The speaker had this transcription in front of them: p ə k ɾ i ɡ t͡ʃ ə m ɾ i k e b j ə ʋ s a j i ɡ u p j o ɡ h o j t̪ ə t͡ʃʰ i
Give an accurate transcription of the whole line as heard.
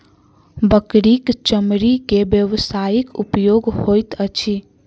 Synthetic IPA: b ə k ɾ i k t͡ʃ ə m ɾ i k e b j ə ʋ s a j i k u p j o ɡ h o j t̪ ə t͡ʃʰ i